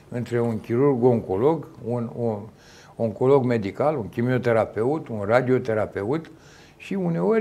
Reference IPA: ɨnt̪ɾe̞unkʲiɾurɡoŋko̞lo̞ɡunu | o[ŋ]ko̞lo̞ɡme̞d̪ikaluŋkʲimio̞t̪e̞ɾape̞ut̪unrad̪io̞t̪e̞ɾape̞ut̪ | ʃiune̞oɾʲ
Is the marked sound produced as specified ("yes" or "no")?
yes